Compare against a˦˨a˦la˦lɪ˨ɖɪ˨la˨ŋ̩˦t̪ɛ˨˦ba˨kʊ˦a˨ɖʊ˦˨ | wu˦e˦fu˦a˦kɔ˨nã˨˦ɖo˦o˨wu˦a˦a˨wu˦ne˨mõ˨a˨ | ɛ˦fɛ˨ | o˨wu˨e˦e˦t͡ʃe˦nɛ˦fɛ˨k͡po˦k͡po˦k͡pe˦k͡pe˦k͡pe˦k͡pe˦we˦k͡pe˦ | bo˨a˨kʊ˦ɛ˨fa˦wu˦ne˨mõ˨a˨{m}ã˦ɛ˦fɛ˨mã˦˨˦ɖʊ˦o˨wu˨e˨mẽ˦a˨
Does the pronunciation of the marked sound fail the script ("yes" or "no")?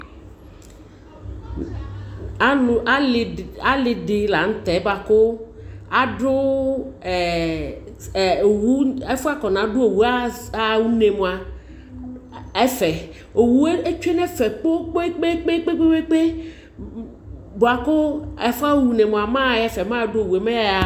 no